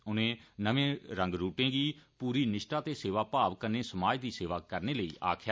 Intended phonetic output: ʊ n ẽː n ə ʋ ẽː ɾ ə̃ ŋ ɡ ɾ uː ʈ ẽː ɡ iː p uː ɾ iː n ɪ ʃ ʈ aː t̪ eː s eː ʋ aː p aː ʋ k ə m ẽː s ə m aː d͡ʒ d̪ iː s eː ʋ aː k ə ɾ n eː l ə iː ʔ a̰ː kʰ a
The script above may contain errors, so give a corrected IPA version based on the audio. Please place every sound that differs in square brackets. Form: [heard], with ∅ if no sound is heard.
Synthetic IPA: ʊ n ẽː n ə ʋ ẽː ɾ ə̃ ŋ ɡ ɾ uː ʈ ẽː ɡ iː p uː ɾ iː n ɪ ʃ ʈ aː t̪ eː s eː ʋ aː p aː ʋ k ə [n] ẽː s ə m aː d͡ʒ d̪ iː s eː ʋ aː k ə ɾ n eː l ə iː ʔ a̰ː kʰ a